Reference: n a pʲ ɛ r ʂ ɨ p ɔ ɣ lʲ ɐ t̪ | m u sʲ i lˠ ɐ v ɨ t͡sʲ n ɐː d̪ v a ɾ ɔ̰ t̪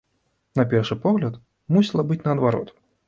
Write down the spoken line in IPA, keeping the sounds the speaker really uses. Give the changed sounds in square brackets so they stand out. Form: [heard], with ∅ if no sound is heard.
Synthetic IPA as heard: n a pʲ ɛ r ʂ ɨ p ɔ ɣ lʲ ɐ t̪ | m u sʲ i lˠ ɐ [b] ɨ t͡sʲ n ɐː d̪ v a ɾ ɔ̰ t̪